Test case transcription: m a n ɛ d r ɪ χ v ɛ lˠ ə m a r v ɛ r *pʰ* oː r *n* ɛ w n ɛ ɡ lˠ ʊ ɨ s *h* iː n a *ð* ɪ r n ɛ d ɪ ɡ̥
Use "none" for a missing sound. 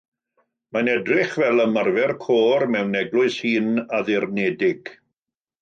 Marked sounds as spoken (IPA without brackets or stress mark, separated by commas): kʰ, m, h, ð